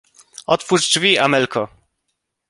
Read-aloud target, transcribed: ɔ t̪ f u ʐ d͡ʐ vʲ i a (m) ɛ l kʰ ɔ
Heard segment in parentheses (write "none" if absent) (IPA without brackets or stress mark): m